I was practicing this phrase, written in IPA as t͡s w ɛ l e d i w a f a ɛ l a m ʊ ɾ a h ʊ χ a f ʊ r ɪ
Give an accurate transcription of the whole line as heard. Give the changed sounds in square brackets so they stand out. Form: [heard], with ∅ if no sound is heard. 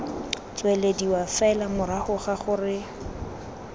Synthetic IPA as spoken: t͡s w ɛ l e d i w a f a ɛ l a m ʊ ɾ a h ʊ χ a [χ] ʊ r ɪ